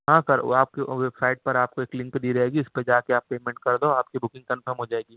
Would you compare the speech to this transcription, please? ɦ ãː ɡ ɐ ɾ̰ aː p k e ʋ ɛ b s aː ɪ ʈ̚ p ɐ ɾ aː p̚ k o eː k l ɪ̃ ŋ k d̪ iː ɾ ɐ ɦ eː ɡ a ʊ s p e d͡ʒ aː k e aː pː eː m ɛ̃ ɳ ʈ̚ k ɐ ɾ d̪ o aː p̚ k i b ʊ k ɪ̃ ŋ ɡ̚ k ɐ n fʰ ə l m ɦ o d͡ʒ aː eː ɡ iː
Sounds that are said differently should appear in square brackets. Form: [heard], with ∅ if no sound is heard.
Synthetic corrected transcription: ɦ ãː [k] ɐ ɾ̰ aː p k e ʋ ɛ b s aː ɪ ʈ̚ p ɐ ɾ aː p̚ k o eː k l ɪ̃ ŋ k d̪ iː ɾ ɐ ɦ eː ɡ [i] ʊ s p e d͡ʒ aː k e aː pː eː m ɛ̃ ɳ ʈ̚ k ɐ ɾ d̪ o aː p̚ k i b ʊ k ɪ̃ ŋ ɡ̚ k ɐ n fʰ ə [ɾ] m ɦ o d͡ʒ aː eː ɡ iː